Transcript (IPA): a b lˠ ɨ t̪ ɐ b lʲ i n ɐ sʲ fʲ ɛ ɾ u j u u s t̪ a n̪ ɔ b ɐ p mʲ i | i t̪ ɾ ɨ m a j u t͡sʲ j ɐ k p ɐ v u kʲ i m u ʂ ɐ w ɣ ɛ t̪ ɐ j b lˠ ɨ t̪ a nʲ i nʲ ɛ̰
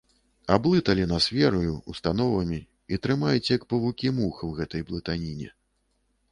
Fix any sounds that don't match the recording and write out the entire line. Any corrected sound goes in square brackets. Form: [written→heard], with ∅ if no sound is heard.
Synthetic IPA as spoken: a b lˠ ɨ t̪ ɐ [b→∅] lʲ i n ɐ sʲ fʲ ɛ ɾ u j u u s t̪ a n̪ ɔ [b→v] ɐ [p→∅] mʲ i | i t̪ ɾ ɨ m a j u t͡sʲ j ɐ k p ɐ v u kʲ i m u [ʂ→x] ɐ w ɣ ɛ t̪ ɐ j b lˠ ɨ t̪ a nʲ i nʲ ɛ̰